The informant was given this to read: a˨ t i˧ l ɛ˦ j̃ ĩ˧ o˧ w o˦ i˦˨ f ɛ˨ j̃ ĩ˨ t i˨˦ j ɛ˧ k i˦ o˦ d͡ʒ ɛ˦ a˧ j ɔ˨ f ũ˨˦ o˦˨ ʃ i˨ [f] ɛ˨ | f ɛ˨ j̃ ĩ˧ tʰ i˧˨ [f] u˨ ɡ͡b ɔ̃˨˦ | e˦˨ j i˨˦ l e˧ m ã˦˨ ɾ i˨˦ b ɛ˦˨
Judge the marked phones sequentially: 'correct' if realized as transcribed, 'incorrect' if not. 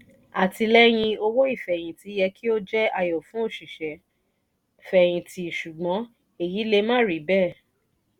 incorrect: ʃ, incorrect: ʃ

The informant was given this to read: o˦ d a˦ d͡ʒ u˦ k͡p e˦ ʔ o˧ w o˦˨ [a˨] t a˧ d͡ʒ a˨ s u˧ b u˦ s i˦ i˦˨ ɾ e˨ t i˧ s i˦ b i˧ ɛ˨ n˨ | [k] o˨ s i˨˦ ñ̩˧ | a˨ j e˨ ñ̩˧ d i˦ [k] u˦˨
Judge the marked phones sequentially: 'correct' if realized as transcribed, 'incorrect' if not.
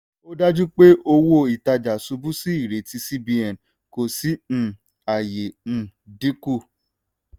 incorrect: i˨, correct, correct

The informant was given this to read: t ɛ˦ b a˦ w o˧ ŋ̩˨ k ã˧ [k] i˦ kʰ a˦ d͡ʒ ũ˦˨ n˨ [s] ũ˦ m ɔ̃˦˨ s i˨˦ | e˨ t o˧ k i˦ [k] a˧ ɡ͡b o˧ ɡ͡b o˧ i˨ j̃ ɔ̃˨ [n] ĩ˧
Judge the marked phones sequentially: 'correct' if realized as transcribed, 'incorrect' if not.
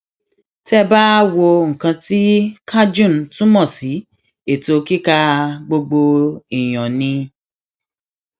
incorrect: t, incorrect: t, correct, correct

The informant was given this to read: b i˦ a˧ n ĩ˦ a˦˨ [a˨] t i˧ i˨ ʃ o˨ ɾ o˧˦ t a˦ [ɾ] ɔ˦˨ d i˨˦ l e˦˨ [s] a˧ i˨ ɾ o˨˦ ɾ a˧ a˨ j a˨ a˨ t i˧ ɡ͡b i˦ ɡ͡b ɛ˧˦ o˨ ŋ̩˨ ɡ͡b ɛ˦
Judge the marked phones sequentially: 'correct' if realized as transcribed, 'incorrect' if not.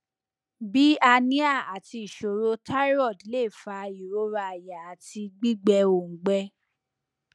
correct, correct, incorrect: f

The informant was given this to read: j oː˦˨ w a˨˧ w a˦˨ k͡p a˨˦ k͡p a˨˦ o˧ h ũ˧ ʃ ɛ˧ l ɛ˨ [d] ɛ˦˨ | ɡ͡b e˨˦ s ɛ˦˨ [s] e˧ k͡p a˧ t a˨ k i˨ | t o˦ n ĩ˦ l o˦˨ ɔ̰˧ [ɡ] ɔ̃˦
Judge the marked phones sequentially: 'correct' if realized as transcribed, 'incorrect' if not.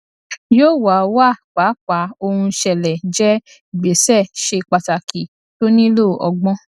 incorrect: d͡ʒ, incorrect: ʃ, incorrect: ɡ͡b

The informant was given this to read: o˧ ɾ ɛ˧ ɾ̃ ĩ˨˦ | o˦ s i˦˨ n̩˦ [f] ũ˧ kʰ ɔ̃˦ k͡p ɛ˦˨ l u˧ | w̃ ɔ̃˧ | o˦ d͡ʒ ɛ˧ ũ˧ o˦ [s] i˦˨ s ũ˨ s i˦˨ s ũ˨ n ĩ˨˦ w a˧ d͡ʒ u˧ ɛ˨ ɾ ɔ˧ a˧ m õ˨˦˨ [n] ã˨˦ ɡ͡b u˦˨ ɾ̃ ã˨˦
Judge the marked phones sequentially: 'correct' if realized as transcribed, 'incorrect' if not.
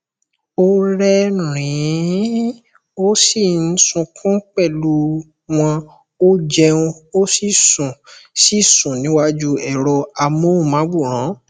incorrect: s, correct, incorrect: m

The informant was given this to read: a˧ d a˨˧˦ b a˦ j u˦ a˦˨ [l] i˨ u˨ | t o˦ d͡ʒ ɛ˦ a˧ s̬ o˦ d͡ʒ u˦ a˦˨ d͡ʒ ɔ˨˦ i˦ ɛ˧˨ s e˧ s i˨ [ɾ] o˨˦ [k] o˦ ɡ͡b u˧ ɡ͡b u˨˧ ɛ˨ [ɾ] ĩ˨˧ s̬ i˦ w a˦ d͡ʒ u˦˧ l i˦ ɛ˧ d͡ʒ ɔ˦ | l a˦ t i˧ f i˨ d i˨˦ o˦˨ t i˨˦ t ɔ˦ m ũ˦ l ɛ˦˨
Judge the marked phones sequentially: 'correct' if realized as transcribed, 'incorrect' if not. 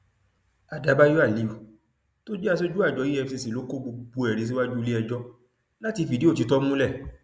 correct, incorrect: l, correct, correct

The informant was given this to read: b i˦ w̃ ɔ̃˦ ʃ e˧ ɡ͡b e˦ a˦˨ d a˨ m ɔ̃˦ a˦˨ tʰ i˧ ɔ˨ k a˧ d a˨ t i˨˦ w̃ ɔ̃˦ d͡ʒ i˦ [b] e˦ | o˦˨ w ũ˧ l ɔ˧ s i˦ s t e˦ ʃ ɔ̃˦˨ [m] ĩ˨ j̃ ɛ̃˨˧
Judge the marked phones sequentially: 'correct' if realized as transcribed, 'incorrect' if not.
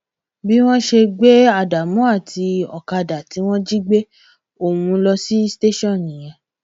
incorrect: ɡ͡b, incorrect: n

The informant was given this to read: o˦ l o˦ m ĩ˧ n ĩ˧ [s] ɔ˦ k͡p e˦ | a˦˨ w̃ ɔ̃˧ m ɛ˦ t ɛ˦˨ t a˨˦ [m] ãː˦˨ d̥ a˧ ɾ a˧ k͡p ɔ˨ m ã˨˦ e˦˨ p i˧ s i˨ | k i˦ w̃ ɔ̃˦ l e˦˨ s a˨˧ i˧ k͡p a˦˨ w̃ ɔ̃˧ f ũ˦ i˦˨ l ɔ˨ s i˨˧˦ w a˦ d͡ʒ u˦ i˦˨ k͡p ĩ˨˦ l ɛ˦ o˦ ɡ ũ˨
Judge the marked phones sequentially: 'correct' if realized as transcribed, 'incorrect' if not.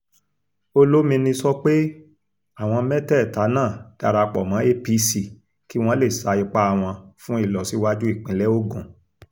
correct, incorrect: n

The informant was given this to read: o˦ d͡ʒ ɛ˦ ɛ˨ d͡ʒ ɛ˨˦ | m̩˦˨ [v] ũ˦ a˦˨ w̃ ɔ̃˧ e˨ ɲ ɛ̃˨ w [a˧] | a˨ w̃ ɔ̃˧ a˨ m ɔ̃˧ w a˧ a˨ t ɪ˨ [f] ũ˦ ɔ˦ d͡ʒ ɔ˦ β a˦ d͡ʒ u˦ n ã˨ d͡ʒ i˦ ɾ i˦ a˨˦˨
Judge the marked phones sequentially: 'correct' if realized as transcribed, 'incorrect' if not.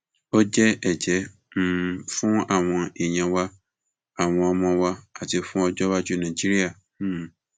incorrect: f, correct, correct

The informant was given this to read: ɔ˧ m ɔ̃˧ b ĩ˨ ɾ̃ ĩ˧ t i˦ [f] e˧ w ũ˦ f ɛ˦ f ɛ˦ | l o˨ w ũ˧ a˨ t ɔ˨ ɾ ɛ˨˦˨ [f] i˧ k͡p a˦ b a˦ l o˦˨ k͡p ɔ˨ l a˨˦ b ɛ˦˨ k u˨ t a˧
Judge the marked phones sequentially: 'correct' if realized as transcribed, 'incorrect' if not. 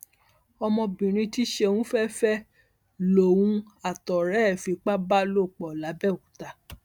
incorrect: ʃ, correct

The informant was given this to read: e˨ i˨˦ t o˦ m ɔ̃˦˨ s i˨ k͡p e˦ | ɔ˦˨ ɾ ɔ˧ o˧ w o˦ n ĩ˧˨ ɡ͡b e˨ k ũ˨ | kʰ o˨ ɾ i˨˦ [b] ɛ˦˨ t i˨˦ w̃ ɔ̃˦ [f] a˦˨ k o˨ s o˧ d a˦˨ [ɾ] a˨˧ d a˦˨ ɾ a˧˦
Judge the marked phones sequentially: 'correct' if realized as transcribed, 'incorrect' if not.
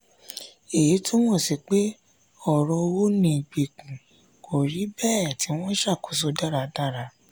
correct, incorrect: ʃ, correct

